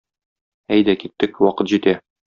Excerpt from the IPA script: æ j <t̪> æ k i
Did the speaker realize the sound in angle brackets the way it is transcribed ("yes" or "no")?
no